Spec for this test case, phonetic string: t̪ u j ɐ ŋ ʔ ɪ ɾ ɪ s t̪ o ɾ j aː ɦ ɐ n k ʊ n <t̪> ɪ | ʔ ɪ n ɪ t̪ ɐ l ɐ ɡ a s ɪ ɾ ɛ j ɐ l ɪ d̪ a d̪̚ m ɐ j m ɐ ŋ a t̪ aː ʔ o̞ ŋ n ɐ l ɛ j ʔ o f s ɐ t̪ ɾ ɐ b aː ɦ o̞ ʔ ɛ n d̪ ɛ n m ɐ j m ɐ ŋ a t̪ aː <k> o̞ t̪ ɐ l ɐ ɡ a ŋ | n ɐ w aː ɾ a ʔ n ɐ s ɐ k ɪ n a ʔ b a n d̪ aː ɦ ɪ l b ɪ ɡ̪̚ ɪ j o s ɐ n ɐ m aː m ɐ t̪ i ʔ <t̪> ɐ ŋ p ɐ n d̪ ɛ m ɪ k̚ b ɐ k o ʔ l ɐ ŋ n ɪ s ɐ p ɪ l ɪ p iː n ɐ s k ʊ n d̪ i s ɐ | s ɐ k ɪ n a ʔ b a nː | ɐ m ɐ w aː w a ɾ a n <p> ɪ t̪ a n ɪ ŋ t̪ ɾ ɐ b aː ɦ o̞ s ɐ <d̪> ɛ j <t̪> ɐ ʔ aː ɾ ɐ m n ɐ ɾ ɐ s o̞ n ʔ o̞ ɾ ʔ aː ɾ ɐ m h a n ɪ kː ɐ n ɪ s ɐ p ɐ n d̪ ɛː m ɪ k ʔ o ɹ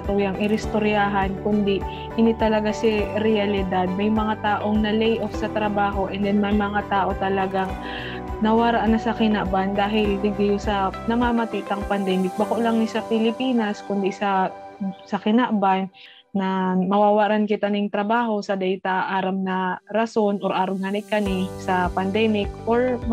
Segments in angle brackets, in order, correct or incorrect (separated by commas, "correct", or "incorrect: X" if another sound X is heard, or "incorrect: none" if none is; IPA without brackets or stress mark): incorrect: d̪, incorrect: ʔ, correct, incorrect: k, correct, correct